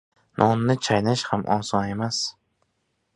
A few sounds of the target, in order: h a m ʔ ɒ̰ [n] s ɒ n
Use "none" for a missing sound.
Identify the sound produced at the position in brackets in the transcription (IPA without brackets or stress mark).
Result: n